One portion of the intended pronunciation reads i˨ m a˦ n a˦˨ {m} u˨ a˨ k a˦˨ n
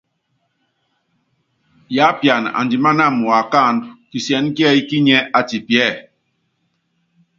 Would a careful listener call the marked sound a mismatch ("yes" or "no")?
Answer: no